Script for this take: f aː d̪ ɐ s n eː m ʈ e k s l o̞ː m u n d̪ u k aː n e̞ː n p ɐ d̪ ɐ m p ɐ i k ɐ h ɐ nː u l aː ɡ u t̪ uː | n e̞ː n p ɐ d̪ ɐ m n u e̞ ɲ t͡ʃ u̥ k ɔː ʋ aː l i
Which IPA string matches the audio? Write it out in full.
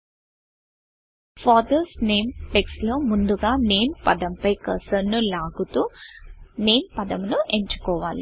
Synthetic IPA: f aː d̪ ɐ s n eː m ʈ e k s l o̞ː m u n d̪ u ɡ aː n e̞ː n p ɐ d̪ ɐ m p ɐ j k ɐ s ɐ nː u l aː ɡ u t̪ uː | n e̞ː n p ɐ d̪ ɐ m n u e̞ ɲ t͡ʃ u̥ k ɔː ʋ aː l i